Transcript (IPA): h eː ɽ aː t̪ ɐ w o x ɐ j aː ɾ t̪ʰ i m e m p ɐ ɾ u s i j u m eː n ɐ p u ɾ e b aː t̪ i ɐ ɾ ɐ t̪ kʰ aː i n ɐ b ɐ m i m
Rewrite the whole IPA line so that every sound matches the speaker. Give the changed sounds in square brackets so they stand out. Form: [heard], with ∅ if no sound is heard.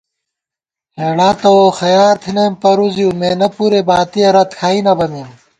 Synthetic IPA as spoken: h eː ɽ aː t̪ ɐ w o x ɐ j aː ɾ t̪ʰ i [n] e m p ɐ ɾ u [z] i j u m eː n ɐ p u ɾ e b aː t̪ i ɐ ɾ ɐ t̪ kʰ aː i n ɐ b ɐ m i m